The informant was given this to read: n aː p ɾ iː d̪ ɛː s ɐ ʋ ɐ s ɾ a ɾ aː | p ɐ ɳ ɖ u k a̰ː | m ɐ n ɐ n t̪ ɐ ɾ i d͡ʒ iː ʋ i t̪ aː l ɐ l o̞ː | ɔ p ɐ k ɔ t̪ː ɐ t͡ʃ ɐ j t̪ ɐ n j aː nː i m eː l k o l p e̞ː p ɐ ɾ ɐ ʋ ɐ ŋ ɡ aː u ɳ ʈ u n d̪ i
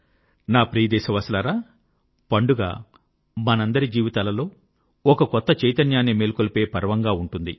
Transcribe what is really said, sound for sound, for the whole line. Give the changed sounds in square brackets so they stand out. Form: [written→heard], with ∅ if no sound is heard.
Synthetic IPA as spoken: n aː p ɾ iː d̪ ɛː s ɐ ʋ ɐ s [ɾ→l] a ɾ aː | p ɐ ɳ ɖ u [k→ɡ] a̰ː | m ɐ n ɐ n [t̪→d̪] ɐ ɾ i d͡ʒ iː ʋ i t̪ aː l ɐ l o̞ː | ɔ [p→k] ɐ k ɔ t̪ː ɐ t͡ʃ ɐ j t̪ ɐ n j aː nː i m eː l k o l p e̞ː p ɐ ɾ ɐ ʋ ɐ ŋ ɡ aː u ɳ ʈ u n d̪ i